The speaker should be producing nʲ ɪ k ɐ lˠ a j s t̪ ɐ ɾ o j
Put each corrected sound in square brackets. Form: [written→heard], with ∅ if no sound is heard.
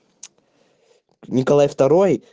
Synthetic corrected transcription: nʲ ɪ k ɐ lˠ a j [s→f] t̪ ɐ ɾ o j